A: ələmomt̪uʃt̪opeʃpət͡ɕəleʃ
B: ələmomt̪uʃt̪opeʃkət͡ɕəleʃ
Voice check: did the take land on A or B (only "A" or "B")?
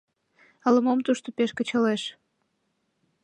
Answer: B